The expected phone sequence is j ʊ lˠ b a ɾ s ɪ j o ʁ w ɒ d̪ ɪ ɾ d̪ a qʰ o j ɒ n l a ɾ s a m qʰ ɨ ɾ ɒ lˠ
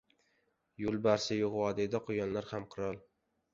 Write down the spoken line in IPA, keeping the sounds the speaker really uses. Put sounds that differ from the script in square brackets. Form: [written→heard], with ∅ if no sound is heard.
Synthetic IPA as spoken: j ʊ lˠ b a ɾ s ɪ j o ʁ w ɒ d̪ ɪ [ɾ→∅] d̪ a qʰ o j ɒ n l a ɾ [s→h] a m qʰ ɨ ɾ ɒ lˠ

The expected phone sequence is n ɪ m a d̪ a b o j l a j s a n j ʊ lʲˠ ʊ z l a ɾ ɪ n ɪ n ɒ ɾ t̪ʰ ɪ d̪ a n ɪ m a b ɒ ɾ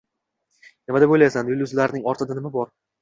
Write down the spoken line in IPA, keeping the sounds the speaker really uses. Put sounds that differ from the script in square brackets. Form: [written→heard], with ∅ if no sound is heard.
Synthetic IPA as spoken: n ɪ m a d̪ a b o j l a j s a n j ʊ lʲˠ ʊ z l a ɾ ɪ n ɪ [n→ŋ] ɒ ɾ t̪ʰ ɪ d̪ a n ɪ m a b ɒ ɾ

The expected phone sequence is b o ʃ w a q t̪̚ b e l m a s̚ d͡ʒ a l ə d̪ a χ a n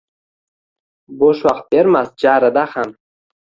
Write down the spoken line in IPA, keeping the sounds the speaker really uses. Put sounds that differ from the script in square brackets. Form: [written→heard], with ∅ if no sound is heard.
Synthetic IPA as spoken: b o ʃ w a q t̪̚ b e [l→ɾ] m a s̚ d͡ʒ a [l→ɾ] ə d̪ a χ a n

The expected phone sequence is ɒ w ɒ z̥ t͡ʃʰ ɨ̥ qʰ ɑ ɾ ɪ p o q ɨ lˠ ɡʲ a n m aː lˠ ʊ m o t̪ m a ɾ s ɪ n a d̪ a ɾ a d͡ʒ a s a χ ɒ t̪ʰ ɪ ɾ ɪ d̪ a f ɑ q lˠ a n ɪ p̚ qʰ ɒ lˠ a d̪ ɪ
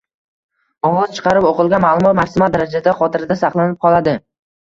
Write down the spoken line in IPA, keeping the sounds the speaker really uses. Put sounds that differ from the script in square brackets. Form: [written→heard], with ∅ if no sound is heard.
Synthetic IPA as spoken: ɒ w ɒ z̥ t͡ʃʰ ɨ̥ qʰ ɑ ɾ ɪ p o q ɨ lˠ ɡʲ a n m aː lˠ ʊ m [o→ɒ] t̪ m a ɾ s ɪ [n→m] a d̪ a ɾ a d͡ʒ a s a χ ɒ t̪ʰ ɪ ɾ ɪ d̪ a [f→s] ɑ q lˠ a n ɪ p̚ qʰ ɒ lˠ a d̪ ɪ

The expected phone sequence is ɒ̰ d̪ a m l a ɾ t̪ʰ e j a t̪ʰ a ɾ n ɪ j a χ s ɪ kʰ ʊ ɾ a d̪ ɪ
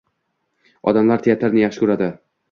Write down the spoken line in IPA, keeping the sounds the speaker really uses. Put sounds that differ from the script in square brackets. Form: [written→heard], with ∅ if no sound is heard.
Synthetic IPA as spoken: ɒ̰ d̪ a m l a ɾ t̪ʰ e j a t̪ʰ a ɾ n ɪ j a χ [s→ʃ] ɪ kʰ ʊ ɾ a d̪ ɪ

